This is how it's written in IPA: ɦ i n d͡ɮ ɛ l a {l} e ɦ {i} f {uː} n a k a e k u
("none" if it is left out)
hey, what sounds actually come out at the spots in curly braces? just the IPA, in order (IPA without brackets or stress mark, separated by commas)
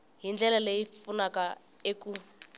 l, i, u